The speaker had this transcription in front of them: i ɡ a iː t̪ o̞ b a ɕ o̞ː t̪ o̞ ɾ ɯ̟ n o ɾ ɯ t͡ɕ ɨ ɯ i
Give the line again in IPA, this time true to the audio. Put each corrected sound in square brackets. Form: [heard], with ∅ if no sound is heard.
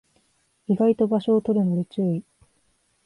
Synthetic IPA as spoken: i ɡ a [i] t̪ o̞ b a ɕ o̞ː t̪ o̞ ɾ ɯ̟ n o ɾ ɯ t͡ɕ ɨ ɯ i